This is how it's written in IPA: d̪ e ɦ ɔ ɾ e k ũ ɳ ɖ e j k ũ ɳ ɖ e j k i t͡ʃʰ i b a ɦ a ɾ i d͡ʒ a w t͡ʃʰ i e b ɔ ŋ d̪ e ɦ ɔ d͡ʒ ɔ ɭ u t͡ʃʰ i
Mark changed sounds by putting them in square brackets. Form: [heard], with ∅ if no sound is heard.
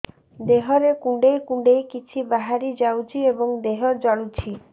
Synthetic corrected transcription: d̪ e ɦ ɔ ɾ e k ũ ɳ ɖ e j k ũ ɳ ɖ e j k i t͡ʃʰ i b a ɦ a ɾ i d͡ʒ a w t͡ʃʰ i e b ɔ ŋ d̪ e ɦ ɔ d͡ʒ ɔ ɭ u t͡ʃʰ i